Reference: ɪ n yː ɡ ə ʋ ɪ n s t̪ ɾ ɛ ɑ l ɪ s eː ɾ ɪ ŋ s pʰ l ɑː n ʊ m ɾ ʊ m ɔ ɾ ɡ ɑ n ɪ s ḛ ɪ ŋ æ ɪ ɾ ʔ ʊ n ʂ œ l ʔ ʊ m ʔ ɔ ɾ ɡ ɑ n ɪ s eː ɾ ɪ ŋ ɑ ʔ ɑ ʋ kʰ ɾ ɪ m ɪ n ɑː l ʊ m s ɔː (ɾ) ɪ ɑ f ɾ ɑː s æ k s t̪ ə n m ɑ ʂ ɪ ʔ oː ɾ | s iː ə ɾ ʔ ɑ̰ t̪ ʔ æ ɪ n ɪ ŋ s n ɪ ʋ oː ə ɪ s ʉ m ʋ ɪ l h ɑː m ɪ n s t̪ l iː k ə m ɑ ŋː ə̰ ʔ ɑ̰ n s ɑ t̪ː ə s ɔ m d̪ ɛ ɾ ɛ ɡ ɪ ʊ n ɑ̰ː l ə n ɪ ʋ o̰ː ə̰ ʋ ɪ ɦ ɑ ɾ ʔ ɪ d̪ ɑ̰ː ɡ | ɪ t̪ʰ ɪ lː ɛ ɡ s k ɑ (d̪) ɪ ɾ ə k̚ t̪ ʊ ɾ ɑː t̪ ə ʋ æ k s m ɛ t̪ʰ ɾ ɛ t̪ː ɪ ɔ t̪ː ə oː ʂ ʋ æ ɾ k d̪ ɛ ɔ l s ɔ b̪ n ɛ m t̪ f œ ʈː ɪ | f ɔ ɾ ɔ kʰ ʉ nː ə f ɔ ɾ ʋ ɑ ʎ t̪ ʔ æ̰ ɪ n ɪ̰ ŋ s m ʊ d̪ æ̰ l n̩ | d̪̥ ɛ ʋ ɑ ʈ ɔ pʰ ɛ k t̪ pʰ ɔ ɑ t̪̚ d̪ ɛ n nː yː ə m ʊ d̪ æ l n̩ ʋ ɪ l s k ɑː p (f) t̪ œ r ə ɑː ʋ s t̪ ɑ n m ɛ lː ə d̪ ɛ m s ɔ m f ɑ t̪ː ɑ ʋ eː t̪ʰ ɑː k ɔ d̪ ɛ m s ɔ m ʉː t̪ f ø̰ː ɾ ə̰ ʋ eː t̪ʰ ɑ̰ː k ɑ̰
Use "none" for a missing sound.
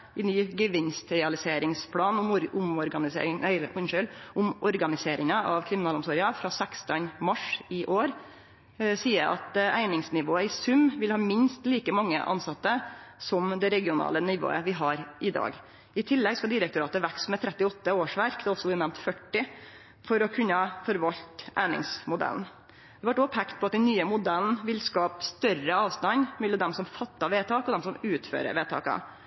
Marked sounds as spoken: ɾ, d̪, s

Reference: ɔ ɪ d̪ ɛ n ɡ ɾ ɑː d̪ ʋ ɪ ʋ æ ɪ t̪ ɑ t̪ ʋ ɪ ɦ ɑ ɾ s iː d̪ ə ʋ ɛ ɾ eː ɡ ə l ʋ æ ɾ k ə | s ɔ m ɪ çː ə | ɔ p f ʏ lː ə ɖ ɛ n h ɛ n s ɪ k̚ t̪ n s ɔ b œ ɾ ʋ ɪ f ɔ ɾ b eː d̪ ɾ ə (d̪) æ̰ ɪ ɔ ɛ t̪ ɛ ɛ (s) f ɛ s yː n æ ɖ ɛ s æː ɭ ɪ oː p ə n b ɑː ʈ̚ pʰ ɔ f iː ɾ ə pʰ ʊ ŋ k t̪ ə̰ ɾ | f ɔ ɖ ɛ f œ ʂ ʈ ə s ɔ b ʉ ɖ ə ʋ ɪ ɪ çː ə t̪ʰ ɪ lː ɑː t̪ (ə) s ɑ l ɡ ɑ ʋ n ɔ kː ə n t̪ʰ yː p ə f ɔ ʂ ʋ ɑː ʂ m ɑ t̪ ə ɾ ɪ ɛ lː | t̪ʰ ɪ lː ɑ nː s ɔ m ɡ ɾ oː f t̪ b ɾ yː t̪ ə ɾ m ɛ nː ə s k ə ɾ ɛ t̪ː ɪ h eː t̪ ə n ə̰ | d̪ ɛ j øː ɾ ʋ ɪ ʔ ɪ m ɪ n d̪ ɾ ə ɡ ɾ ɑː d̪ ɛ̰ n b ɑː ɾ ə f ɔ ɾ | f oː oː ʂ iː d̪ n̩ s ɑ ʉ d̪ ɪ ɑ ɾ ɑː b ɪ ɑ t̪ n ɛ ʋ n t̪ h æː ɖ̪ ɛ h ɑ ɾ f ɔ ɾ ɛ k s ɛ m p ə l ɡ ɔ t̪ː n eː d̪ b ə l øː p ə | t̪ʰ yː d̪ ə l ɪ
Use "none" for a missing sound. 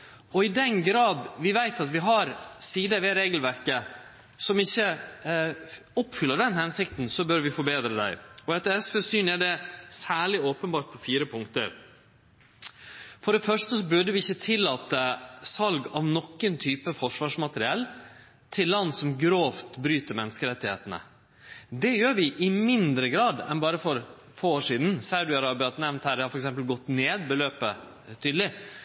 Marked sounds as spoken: d̪, s, ə

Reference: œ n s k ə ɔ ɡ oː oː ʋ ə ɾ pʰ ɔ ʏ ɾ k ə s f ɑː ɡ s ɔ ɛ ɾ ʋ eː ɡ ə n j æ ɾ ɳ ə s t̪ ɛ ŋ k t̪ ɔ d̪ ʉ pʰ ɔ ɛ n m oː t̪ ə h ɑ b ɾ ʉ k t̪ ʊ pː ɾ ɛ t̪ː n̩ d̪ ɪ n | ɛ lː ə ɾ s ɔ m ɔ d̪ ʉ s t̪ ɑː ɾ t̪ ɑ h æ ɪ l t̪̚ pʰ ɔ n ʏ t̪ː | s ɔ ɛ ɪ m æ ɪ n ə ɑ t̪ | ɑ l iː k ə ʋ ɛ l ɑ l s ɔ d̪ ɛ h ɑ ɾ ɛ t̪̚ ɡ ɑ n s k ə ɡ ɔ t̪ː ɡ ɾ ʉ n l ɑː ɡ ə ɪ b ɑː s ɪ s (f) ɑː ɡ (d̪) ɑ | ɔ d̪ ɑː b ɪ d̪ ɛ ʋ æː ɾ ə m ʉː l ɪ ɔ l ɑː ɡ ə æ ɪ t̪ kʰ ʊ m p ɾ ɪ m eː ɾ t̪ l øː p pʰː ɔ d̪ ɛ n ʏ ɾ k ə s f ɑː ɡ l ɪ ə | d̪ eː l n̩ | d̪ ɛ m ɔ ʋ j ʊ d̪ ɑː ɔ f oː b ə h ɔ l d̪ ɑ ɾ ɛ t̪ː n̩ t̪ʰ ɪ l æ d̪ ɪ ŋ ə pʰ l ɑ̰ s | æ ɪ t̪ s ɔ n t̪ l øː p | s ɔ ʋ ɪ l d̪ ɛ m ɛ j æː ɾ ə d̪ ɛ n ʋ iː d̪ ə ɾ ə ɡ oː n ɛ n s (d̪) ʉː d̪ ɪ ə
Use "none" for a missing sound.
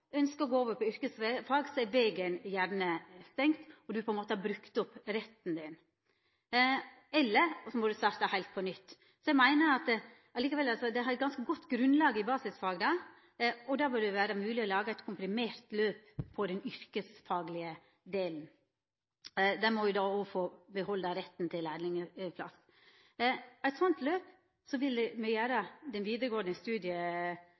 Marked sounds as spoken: f, d̪, t̪

